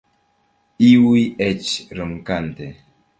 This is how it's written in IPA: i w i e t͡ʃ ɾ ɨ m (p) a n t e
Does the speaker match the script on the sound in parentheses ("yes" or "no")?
no